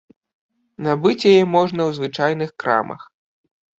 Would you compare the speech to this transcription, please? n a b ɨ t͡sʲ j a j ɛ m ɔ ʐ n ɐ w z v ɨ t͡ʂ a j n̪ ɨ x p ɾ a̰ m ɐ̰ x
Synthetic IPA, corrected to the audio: n a b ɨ t͡sʲ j a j ɛ m ɔ ʐ n ɐ w z v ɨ t͡ʂ a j n̪ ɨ x k ɾ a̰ m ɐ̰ x